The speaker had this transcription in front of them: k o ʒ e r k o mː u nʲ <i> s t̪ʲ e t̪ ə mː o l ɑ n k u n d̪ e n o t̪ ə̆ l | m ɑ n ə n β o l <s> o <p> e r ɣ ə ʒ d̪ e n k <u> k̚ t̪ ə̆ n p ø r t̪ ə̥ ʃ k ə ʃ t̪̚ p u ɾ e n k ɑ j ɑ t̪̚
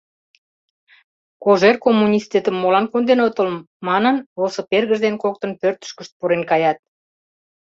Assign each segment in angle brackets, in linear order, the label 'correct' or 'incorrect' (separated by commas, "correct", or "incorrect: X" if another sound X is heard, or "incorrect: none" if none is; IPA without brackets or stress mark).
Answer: correct, correct, correct, incorrect: o